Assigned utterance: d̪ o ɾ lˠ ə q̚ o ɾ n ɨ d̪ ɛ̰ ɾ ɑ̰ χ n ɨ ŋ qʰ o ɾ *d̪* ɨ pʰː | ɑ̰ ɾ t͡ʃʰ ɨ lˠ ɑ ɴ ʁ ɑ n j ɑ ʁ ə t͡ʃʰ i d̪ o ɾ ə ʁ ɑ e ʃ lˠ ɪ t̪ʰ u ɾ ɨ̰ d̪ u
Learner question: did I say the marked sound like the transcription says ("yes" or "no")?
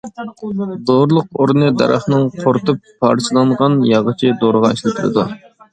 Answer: no